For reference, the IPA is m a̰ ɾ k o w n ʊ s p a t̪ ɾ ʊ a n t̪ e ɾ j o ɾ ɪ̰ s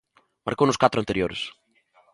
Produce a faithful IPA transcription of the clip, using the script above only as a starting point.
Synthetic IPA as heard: m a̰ ɾ k o w n ʊ s k a t̪ ɾ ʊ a n t̪ e ɾ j o ɾ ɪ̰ s